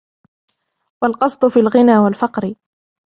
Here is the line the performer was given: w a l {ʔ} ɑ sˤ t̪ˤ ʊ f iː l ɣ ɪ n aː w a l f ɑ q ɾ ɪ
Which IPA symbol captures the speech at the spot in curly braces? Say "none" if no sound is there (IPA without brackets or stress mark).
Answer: q